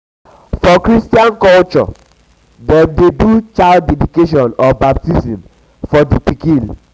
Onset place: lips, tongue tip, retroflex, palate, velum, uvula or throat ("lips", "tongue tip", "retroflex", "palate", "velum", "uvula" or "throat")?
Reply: lips